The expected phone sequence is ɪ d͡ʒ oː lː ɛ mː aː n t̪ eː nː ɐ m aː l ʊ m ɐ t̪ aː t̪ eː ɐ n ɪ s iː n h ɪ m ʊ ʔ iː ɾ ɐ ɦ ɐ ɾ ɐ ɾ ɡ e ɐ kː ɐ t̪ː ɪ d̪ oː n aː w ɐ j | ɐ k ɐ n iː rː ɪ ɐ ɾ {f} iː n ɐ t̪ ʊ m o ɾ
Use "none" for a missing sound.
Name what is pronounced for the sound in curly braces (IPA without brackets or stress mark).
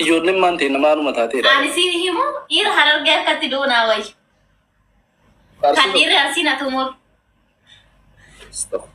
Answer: s